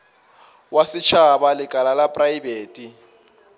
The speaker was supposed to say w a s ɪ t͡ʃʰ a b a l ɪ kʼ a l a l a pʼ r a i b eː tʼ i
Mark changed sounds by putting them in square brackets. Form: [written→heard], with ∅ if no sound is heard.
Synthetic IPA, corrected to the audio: w a s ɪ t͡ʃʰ a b a l ɪ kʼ a l a l a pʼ r a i b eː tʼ i